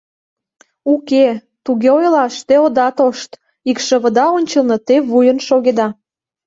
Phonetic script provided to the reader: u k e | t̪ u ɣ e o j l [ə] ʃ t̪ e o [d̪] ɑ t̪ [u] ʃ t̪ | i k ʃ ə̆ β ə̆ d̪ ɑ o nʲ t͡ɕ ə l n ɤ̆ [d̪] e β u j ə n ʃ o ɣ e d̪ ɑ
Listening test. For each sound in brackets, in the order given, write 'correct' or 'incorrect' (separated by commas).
incorrect, correct, incorrect, incorrect